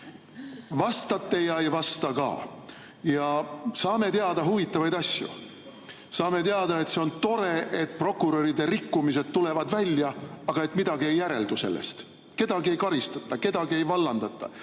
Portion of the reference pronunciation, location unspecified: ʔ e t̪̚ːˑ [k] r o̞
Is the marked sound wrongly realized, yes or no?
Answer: yes